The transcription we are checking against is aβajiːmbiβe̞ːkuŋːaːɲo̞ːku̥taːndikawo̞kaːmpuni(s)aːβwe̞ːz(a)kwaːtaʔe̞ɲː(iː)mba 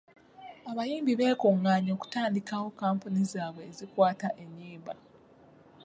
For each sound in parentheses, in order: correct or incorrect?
incorrect: z, incorrect: i, correct

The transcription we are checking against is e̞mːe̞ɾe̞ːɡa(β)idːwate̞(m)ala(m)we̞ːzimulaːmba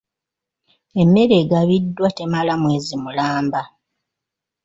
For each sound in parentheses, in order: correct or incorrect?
correct, correct, correct

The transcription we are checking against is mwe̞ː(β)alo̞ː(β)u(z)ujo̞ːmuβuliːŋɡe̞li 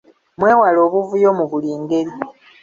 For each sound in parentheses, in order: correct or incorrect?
incorrect: w, correct, incorrect: v

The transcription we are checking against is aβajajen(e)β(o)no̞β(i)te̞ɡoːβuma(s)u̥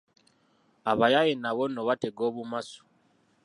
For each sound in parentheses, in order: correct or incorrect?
incorrect: a, correct, incorrect: a, correct

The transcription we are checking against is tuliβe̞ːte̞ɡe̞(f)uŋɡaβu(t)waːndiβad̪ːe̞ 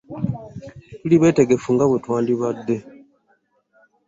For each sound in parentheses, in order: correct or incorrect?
correct, correct

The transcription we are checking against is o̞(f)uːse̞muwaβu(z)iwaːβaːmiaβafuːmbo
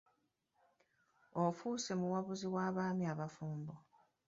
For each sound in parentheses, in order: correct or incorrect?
correct, correct

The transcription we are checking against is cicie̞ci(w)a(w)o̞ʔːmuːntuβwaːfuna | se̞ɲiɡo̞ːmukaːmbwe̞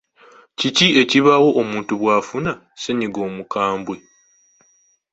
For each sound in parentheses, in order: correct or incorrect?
incorrect: β, correct

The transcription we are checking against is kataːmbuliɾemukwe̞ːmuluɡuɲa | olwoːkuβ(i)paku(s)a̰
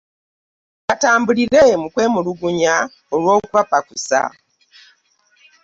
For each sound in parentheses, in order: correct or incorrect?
incorrect: a, correct

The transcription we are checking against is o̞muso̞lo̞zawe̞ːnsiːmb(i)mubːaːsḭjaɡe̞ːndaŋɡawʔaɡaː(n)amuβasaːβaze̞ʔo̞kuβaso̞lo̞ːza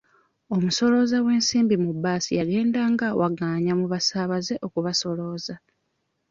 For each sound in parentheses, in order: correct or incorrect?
correct, incorrect: ɲ

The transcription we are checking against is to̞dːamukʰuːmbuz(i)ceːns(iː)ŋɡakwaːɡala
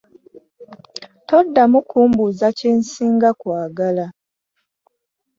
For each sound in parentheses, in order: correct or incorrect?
incorrect: a, correct

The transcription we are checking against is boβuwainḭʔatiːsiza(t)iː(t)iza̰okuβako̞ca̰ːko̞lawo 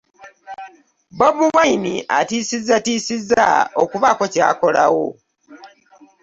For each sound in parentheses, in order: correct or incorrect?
correct, incorrect: s

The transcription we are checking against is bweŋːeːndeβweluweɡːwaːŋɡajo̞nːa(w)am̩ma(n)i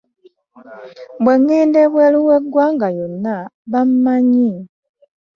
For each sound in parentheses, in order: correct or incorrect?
incorrect: β, incorrect: ɲ

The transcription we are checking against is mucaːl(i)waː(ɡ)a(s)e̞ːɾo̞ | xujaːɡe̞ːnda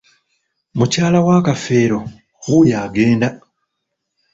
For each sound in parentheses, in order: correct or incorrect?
incorrect: a, incorrect: k, incorrect: f

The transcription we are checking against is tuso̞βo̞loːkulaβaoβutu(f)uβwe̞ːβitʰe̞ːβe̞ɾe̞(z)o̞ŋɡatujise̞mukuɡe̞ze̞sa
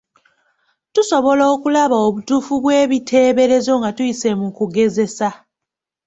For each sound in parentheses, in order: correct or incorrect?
correct, correct

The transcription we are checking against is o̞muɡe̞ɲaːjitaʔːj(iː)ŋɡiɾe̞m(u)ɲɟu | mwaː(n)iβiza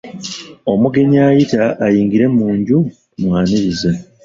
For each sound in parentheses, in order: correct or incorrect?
correct, incorrect: uː, correct

